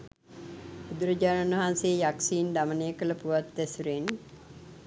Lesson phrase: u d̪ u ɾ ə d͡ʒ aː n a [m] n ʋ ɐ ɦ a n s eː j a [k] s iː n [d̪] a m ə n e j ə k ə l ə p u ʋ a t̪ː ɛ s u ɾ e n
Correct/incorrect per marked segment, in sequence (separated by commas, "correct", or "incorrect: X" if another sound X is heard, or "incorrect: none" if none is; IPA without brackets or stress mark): incorrect: none, correct, correct